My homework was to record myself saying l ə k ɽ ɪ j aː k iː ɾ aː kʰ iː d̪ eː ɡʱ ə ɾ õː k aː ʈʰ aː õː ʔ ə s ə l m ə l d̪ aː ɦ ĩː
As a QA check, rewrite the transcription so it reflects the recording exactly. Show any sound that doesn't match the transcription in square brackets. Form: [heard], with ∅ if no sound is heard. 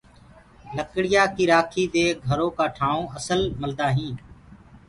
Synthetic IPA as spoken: l ə k ɽ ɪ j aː k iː ɾ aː kʰ iː d̪ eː ɡʱ ə ɾ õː k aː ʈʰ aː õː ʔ ə s ə l m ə l d̪ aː ɦ ĩː